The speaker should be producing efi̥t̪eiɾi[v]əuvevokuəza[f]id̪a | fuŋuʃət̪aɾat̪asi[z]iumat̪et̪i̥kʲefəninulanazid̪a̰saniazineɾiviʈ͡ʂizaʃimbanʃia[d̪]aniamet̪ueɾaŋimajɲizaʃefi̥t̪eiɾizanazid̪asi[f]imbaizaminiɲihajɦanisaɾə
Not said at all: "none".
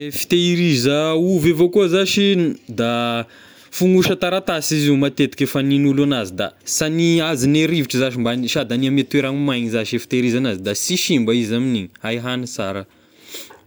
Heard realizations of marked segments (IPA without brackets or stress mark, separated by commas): z, ʃ, z, d̪, ʃ